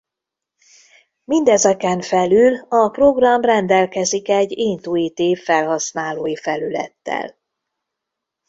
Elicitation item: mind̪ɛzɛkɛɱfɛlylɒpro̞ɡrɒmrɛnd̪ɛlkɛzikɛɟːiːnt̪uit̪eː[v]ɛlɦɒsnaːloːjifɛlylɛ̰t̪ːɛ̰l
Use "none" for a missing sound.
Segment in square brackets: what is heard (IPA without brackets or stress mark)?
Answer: f